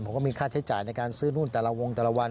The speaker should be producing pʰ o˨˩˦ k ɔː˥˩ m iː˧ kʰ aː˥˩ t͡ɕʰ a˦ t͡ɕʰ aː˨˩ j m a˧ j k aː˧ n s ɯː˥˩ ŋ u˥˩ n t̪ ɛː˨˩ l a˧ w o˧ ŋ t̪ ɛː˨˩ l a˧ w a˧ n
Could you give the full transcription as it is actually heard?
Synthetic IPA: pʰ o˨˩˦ k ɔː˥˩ m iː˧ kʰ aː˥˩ t͡ɕʰ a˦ t͡ɕ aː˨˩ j n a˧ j k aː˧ n s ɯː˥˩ n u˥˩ n t̪ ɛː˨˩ l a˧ w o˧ ŋ t̪ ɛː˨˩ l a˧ w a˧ n